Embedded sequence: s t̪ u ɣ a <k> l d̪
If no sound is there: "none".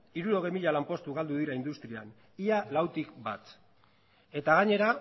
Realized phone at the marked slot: none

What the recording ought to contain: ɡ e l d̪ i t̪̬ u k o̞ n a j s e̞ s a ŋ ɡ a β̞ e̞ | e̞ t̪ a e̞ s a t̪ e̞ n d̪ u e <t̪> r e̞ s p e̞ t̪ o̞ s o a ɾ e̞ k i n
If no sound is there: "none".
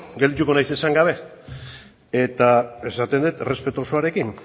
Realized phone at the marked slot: t̪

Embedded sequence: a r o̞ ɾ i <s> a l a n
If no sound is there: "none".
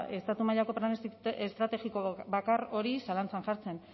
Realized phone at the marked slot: s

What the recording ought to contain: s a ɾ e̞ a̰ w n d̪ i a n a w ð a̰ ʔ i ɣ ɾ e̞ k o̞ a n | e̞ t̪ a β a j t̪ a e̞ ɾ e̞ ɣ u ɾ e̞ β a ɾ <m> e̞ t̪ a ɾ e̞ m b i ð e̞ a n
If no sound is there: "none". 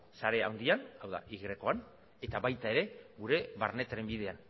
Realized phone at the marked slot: n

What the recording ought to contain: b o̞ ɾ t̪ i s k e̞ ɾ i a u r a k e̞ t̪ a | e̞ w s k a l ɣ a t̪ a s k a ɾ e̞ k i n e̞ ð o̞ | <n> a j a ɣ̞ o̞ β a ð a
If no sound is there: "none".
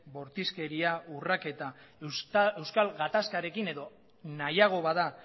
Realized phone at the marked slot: n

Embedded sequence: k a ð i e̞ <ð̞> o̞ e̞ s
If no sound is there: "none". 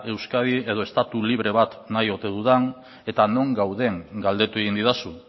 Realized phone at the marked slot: ð̞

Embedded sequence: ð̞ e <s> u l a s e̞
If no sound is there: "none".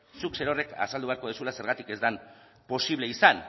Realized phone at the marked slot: s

